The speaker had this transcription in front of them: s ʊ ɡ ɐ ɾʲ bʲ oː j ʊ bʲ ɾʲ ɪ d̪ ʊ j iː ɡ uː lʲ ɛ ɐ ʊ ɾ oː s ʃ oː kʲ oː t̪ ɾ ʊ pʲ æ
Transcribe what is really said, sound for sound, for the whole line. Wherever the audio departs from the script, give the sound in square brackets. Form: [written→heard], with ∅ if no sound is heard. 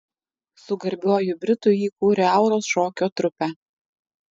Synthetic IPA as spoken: s ʊ ɡ ɐ ɾʲ bʲ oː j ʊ bʲ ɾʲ ɪ [d̪→t̪] ʊ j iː [ɡ→k] uː [lʲ→ɾʲ] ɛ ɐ ʊ ɾ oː s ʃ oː kʲ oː t̪ ɾ ʊ pʲ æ

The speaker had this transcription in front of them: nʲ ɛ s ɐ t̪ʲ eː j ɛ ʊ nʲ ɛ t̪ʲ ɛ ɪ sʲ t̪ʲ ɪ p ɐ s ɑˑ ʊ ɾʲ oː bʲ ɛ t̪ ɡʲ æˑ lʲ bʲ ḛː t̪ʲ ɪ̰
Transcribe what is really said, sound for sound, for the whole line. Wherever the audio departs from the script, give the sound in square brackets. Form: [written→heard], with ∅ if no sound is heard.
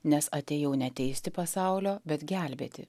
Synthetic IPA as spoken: nʲ ɛ s ɐ t̪ʲ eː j ɛ ʊ nʲ ɛ t̪ʲ ɛ ɪ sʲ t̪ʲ ɪ p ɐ s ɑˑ ʊ [ɾʲ→lʲ] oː bʲ ɛ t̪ ɡʲ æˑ lʲ bʲ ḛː t̪ʲ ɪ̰

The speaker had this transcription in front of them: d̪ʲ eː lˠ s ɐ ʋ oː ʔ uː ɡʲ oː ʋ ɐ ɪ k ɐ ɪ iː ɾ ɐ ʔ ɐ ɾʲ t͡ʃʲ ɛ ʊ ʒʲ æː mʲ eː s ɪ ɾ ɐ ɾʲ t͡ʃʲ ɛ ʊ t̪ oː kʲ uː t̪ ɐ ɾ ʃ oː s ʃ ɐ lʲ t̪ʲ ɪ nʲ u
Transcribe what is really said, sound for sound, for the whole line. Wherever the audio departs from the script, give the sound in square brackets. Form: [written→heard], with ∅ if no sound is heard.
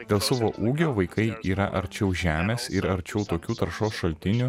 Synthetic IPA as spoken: d̪ʲ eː lˠ s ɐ ʋ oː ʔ uː ɡʲ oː ʋ ɐ ɪ k ɐ ɪ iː ɾ ɐ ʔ ɐ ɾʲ t͡ʃʲ ɛ ʊ ʒʲ æː mʲ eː s ɪ ɾ ɐ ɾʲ t͡ʃʲ ɛ ʊ t̪ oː kʲ uː t̪ ɐ ɾ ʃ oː s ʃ ɐ lʲ t̪ʲ ɪ nʲ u

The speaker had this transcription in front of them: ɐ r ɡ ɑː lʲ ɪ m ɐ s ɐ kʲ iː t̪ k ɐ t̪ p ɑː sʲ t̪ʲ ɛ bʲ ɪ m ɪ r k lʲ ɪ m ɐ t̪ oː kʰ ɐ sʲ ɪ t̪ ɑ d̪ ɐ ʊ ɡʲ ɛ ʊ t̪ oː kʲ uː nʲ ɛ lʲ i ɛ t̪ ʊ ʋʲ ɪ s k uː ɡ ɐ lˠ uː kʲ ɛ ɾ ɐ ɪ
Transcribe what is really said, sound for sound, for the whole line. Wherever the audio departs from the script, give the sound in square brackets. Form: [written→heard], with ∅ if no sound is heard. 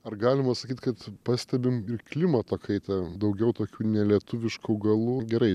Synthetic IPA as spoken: ɐ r ɡ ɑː lʲ ɪ m ɐ s ɐ kʲ iː t̪ k ɐ t̪ p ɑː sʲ t̪ʲ ɛ bʲ ɪ m ɪ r k lʲ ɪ m ɐ t̪ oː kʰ ɐ [sʲ→∅] ɪ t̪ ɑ d̪ ɐ ʊ ɡʲ ɛ ʊ t̪ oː kʲ uː nʲ ɛ lʲ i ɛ t̪ ʊ ʋʲ ɪ [s→ʃ] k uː ɡ ɐ lˠ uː [kʲ→ɡʲ] ɛ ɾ ɐ ɪ

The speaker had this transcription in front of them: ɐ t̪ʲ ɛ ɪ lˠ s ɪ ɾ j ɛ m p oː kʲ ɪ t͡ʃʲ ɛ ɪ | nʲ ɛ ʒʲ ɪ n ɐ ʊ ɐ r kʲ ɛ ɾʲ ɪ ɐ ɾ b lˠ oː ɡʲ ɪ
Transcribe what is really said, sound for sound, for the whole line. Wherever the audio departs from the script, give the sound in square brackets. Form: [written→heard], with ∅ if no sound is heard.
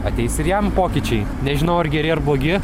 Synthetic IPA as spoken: ɐ t̪ʲ ɛ ɪ [lˠ→∅] s ɪ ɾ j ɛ m p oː kʲ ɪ t͡ʃʲ ɛ ɪ | nʲ ɛ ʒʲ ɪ n ɐ ʊ ɐ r [kʲ→ɡʲ] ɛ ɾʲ ɪ ɐ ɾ b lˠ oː ɡʲ ɪ

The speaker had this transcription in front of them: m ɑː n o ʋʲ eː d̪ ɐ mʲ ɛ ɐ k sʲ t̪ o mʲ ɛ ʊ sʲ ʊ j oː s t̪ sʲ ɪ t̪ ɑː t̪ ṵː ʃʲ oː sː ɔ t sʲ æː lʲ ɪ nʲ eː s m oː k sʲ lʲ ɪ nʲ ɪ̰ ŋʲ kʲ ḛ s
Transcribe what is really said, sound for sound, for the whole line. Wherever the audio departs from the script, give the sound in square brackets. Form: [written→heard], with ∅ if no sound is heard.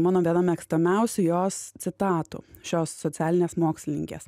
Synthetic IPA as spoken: m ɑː n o ʋʲ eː d̪ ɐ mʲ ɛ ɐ k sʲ t̪ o mʲ ɛ ʊ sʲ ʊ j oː s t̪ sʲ ɪ t̪ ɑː t̪ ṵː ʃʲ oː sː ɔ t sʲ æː lʲ ɪ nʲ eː s m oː k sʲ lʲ ɪ nʲ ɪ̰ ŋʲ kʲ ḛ s

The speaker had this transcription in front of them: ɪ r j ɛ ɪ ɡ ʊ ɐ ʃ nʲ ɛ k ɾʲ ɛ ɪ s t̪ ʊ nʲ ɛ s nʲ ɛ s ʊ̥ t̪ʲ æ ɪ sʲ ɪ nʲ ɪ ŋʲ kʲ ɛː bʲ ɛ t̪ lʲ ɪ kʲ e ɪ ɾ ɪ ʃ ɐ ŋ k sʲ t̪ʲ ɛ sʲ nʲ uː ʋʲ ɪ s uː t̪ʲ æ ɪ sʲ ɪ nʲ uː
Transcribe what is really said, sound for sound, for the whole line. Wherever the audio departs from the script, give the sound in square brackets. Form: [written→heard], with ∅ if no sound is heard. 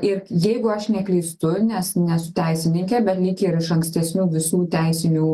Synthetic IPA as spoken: ɪ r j ɛ ɪ ɡ ʊ ɐ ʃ nʲ ɛ k [ɾʲ→lʲ] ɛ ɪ s t̪ ʊ nʲ ɛ s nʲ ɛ s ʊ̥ t̪ʲ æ ɪ sʲ ɪ nʲ ɪ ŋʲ kʲ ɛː bʲ ɛ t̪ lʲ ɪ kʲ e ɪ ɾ ɪ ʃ ɐ ŋ k sʲ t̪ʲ ɛ sʲ nʲ uː ʋʲ ɪ s uː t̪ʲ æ ɪ sʲ ɪ nʲ uː

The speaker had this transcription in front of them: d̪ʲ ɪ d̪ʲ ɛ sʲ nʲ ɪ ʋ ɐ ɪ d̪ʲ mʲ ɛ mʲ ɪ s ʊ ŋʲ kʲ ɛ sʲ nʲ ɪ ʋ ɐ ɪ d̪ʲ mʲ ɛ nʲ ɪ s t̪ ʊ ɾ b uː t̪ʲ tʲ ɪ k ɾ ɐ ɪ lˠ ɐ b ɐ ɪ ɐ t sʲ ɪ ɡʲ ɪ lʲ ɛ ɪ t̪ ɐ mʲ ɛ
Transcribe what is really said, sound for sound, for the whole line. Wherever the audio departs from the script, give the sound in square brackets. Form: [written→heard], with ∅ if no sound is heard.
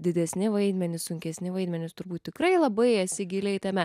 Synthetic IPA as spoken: d̪ʲ ɪ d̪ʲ ɛ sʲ nʲ ɪ ʋ ɐ ɪ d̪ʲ mʲ ɛ [mʲ→nʲ] ɪ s ʊ ŋʲ kʲ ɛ sʲ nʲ ɪ ʋ ɐ ɪ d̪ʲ mʲ ɛ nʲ ɪ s t̪ ʊ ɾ b uː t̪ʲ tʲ ɪ k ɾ ɐ ɪ lˠ ɐ b ɐ ɪ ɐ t sʲ ɪ ɡʲ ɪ lʲ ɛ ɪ t̪ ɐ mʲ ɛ

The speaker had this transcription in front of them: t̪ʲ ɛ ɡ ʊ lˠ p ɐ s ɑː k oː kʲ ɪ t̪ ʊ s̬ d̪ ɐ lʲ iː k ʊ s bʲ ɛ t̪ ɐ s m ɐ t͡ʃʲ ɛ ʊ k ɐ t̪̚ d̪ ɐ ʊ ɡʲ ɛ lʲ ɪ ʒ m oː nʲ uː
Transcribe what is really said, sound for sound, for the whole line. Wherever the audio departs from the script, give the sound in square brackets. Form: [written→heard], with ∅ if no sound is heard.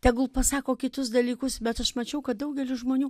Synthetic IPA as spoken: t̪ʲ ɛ ɡ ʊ lˠ p ɐ s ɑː k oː kʲ ɪ t̪ ʊ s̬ d̪ ɐ lʲ iː k ʊ s bʲ ɛ t̪ ɐ [s→ʃ] m ɐ t͡ʃʲ ɛ ʊ k ɐ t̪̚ d̪ ɐ ʊ ɡʲ ɛ lʲ ɪ ʒ m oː nʲ uː

